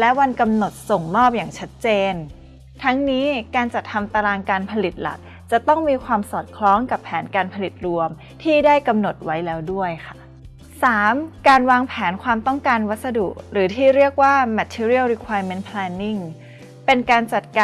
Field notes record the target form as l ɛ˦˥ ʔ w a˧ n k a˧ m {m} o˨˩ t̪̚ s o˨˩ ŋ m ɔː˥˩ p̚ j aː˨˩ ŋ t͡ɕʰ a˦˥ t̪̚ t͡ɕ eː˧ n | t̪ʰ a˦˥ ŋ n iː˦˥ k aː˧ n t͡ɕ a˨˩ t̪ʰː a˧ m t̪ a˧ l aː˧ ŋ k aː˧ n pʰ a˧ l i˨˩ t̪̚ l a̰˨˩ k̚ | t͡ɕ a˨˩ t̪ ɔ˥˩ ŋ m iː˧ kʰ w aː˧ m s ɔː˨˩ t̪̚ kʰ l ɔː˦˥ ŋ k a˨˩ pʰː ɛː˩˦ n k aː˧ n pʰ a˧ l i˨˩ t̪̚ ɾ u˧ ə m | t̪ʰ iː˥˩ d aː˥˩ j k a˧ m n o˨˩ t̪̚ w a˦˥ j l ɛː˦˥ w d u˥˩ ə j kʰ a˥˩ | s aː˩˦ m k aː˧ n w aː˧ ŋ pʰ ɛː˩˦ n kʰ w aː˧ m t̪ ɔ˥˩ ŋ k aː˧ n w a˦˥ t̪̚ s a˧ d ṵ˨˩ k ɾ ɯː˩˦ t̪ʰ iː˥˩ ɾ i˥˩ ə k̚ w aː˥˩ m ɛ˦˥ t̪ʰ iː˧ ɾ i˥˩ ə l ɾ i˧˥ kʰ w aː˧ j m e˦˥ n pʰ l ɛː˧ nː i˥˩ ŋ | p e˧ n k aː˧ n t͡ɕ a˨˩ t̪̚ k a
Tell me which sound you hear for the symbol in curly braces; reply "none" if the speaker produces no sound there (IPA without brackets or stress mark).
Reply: n